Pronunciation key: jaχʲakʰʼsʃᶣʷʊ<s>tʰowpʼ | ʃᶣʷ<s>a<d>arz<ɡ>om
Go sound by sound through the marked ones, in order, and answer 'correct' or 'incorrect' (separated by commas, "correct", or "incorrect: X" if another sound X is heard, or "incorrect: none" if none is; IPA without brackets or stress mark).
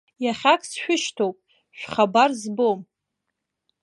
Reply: incorrect: ʃ, incorrect: χ, incorrect: b, incorrect: b